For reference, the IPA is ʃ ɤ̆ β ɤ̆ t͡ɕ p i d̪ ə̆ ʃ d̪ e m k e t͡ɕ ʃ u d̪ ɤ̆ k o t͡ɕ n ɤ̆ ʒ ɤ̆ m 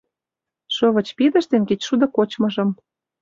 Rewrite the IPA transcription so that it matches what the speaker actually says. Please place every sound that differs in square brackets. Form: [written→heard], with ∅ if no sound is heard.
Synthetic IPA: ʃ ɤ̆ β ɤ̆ t͡ɕ p i d̪ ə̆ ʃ [d̪→t̪] e [m→n] k e t͡ɕ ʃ u d̪ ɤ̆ k o t͡ɕ [n→m] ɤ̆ ʒ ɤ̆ m

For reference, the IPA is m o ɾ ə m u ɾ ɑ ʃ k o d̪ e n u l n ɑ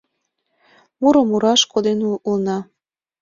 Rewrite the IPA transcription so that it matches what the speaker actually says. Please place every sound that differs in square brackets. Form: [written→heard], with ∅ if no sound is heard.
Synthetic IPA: m [o→u] ɾ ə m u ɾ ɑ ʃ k o d̪ e n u l n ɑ

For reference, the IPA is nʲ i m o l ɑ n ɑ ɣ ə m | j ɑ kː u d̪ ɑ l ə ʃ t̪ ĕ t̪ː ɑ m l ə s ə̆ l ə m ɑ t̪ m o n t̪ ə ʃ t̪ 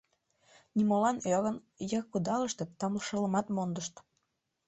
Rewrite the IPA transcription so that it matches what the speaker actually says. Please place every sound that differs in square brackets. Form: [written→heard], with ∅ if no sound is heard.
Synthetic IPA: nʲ i m o l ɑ n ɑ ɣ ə [m→n] | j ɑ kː u d̪ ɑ l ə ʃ t̪ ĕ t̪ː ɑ m l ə [s→ʃ] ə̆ l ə m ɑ t̪ m o n [t̪→d̪] ə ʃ t̪

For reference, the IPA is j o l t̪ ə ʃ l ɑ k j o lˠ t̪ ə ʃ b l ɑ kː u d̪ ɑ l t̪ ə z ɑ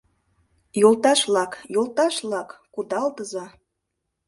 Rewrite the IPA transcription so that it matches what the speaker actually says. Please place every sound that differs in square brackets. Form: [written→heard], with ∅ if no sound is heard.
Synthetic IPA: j o l t̪ [ə→ɑ] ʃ l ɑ k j o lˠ t̪ [ə→ɑ] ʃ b l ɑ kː u d̪ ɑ l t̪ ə z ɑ

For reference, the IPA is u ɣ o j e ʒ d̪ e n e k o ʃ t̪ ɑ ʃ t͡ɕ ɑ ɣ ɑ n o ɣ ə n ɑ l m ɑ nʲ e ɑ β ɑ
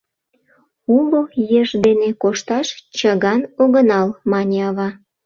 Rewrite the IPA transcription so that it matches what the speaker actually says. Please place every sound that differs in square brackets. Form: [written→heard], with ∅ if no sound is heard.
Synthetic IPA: u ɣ o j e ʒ d̪ e n e k o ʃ t̪ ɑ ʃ t͡ɕ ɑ ɣ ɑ n o ɣ ə n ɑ l m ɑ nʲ e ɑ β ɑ

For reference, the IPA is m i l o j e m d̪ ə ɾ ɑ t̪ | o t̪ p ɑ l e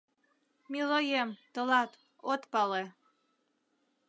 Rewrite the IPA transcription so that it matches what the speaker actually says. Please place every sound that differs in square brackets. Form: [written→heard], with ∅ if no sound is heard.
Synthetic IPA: m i l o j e m [d̪→t̪] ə [ɾ→l] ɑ t̪ | o t̪ p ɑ l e

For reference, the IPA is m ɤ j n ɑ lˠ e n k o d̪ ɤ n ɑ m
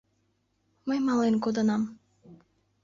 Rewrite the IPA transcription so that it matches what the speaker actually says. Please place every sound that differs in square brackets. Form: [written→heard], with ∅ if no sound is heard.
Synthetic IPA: m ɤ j [n→m] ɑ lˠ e n k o d̪ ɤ n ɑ m

